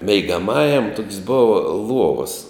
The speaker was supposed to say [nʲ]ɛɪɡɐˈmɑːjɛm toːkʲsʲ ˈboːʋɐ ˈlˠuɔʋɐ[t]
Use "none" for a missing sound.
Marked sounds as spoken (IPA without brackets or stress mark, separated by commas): mʲ, s